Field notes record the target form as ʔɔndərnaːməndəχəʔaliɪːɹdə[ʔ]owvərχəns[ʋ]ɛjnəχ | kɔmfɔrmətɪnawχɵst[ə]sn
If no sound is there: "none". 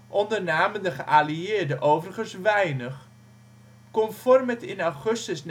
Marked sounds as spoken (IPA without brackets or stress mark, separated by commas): ʔ, ʋ, ə